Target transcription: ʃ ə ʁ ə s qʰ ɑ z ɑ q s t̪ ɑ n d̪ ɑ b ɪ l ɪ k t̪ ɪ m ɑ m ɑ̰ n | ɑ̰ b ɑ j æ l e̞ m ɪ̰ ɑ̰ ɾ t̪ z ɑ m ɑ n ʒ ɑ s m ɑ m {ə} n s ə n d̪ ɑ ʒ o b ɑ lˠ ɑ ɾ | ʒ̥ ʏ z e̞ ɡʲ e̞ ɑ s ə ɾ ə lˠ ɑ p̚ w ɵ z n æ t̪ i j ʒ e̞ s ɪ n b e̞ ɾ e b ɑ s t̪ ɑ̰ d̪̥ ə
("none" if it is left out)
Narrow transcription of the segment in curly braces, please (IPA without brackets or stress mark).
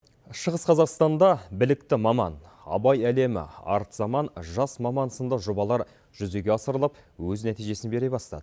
ɑ